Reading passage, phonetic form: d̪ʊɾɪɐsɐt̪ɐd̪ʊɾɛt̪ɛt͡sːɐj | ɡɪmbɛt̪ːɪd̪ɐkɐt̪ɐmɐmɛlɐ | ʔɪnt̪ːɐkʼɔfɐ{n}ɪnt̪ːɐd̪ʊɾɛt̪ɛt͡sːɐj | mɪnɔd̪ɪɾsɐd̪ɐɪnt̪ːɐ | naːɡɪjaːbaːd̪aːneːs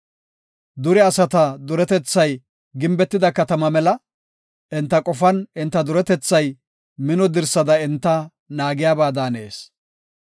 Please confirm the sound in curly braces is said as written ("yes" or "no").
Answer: yes